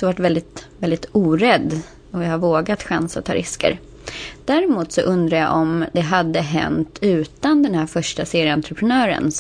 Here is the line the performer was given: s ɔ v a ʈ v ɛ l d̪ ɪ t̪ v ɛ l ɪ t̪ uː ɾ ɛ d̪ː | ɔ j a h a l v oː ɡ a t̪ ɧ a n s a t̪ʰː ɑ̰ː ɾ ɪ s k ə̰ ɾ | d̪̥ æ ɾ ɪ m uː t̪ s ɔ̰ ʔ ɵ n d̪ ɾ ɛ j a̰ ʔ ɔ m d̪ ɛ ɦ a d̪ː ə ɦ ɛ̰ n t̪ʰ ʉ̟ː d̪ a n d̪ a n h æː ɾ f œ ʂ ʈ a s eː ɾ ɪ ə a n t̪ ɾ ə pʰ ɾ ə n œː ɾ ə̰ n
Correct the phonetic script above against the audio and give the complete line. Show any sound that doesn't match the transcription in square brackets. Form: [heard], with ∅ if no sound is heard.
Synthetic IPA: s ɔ v a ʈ v ɛ l d̪ ɪ t̪ v ɛ l ɪ t̪ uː ɾ ɛ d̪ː | ɔ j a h a [ɾ] v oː ɡ a t̪ ɧ a n s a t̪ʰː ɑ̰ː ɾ ɪ s k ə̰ ɾ | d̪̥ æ ɾ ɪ m uː t̪ s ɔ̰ ʔ ɵ n d̪ ɾ [a] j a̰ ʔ ɔ m d̪ ɛ ɦ a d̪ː ə ɦ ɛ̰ n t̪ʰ ʉ̟ː [t̪] a n d̪ [ɛ] n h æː ɾ f œ ʂ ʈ a s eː ɾ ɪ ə a n t̪ ɾ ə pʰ ɾ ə n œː ɾ ə̰ n